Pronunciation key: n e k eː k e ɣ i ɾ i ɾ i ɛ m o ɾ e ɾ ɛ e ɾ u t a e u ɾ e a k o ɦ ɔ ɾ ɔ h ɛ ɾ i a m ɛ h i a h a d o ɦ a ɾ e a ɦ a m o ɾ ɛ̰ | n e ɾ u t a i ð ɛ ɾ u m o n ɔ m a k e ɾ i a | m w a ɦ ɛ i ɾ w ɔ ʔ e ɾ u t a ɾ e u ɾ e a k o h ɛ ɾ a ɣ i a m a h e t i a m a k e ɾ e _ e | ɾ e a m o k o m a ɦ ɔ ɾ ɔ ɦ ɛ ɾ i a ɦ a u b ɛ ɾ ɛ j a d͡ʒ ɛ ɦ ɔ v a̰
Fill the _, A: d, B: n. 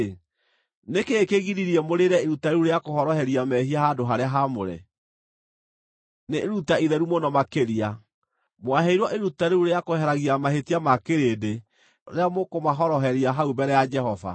A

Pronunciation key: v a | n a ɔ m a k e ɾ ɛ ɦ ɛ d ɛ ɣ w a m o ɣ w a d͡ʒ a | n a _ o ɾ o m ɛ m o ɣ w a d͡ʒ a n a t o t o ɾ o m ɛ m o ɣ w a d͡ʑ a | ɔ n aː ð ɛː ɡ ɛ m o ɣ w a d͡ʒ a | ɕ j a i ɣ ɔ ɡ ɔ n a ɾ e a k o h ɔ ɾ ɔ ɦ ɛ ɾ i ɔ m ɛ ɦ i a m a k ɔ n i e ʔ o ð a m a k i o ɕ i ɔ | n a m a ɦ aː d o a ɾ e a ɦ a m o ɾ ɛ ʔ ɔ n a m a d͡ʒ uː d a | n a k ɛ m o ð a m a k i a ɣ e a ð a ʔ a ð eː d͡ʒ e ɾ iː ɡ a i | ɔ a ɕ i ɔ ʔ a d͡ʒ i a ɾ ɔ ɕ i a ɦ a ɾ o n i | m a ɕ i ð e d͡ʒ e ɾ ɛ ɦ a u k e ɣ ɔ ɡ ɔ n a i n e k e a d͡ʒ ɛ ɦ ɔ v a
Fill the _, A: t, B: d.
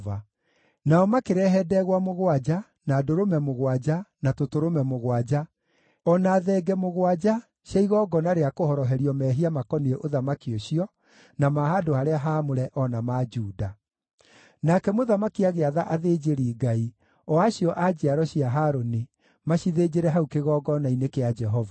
B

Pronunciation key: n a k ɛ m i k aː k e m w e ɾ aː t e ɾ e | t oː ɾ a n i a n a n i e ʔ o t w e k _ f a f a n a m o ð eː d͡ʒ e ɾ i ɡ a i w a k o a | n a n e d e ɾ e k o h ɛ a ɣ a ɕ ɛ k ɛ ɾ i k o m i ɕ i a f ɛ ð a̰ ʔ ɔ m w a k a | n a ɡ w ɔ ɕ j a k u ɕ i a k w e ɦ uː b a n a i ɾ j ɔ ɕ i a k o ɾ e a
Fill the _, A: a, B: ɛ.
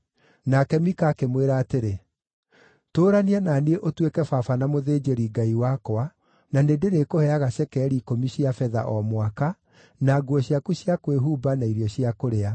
B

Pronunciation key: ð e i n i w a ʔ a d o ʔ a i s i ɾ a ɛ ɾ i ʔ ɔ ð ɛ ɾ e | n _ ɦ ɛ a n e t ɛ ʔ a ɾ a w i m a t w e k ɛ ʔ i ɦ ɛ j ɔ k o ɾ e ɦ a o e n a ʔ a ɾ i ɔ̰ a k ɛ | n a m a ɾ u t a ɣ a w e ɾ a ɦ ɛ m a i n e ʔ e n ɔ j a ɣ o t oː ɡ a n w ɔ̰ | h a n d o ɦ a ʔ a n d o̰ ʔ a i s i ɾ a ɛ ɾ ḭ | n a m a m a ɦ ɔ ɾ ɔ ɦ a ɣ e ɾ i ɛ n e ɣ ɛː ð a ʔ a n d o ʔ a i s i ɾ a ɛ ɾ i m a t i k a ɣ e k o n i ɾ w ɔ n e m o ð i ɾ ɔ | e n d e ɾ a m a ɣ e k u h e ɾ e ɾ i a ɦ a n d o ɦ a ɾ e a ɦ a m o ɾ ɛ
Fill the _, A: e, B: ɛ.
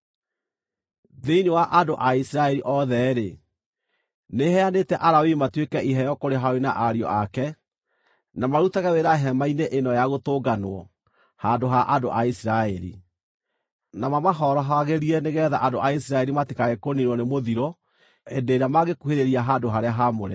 A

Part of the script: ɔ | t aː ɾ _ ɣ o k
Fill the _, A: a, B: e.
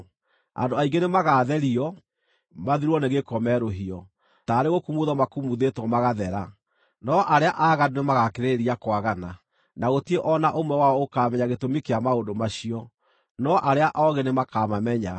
B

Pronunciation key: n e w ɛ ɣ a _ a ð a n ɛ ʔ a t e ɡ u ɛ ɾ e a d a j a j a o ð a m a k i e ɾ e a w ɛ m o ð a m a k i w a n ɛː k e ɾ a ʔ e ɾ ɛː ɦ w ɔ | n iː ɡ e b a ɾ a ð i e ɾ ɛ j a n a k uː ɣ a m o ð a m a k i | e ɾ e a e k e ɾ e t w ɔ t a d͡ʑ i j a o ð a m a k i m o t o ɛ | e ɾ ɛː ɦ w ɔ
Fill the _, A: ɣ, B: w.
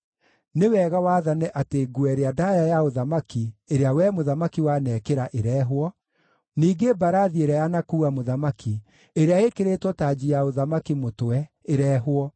B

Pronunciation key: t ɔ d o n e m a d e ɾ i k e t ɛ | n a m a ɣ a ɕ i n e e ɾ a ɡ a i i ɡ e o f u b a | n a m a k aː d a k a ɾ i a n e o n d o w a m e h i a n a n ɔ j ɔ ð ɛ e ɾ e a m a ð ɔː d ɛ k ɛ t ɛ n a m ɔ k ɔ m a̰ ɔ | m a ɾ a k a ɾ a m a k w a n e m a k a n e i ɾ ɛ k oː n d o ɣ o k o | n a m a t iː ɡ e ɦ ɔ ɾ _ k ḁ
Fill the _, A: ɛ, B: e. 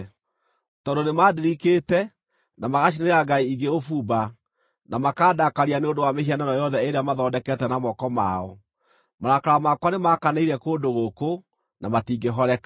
A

